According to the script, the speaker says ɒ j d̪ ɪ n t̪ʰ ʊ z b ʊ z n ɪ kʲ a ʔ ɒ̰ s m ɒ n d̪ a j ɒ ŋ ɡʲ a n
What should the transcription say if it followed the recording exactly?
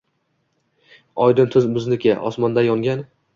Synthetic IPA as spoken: ɒ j d̪ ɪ n t̪ʰ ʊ z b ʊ z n ɪ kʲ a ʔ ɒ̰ s m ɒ n d̪ a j ɒ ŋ ɡʲ a n